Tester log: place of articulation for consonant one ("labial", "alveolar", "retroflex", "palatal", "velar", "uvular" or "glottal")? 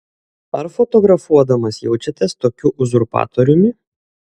alveolar